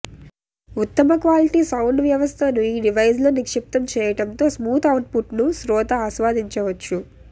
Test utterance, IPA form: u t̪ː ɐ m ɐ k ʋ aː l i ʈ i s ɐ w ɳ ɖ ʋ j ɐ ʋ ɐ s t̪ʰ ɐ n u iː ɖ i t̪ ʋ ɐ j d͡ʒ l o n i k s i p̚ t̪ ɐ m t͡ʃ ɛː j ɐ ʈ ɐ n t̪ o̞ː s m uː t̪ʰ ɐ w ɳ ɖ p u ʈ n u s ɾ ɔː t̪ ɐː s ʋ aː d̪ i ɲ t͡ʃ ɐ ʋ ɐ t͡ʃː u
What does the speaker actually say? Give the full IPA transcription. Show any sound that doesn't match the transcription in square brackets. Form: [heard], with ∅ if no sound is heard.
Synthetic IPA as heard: u t̪ː ɐ m ɐ k ʋ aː l i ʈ i s ɐ w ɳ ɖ ʋ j ɐ ʋ ɐ s t̪ʰ ɐ n u iː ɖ i [∅] ʋ ɐ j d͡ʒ l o n i k [ʂ] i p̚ t̪ ɐ m t͡ʃ ɛː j ɐ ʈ ɐ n t̪ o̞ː s m uː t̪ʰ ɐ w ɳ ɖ p u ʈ n u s ɾ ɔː t̪ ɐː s ʋ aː d̪ i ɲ t͡ʃ ɐ ʋ ɐ t͡ʃː u